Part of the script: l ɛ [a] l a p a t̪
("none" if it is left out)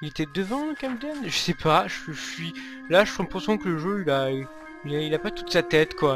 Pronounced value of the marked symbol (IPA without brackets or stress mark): i